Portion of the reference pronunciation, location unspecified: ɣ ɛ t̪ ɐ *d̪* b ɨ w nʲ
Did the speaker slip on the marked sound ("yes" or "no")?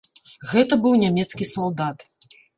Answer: yes